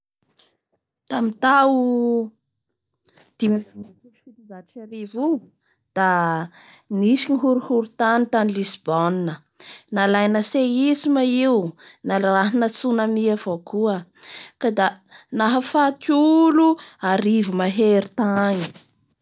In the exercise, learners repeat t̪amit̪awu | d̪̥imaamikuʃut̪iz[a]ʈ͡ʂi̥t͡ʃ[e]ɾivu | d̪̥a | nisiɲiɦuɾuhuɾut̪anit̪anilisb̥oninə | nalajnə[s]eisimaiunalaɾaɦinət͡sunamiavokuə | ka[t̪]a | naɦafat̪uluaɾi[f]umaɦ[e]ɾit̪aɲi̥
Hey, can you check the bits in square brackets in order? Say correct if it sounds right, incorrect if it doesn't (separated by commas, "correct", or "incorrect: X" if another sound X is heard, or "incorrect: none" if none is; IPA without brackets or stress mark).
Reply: correct, incorrect: a, correct, incorrect: d̪, incorrect: v, correct